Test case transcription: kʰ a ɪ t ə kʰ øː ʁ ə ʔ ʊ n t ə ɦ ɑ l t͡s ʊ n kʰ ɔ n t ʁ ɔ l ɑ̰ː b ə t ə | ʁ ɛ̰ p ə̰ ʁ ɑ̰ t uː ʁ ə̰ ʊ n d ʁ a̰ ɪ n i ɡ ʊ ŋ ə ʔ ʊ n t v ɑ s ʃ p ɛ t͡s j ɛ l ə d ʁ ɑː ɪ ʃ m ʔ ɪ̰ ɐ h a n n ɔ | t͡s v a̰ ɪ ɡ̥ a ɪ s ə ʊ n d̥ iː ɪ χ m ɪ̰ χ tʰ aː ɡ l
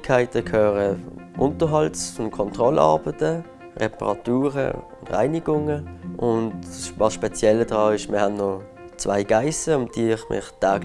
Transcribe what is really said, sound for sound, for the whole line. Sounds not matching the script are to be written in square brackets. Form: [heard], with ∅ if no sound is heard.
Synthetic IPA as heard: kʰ a ɪ t ə kʰ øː ʁ ə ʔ ʊ n t ə ɦ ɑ l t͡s ʊ n kʰ ɔ n t ʁ ɔ l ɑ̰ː b ə t ə | ʁ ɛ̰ p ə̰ ʁ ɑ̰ t uː ʁ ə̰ ʊ n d ʁ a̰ ɪ n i ɡ ʊ ŋ ə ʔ ʊ n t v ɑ s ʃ p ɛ t͡s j ɛ l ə d ʁ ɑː ɪ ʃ m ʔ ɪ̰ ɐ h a n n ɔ | t͡s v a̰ ɪ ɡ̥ a ɪ s ə ʊ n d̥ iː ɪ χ m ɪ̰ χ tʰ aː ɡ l